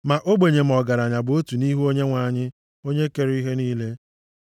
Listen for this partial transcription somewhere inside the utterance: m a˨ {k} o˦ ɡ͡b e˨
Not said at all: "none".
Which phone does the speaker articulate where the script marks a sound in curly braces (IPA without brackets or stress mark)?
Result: ʔ